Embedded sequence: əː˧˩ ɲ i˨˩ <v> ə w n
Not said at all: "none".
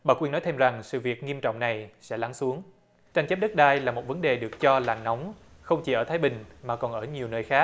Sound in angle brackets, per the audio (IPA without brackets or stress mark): none